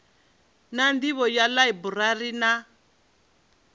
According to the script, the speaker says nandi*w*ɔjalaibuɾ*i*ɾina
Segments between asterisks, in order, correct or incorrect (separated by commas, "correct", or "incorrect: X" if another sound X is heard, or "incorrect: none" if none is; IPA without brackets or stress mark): incorrect: β, incorrect: a